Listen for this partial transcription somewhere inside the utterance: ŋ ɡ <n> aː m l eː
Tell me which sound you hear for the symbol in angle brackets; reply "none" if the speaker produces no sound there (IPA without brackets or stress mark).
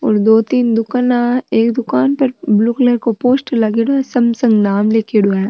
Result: n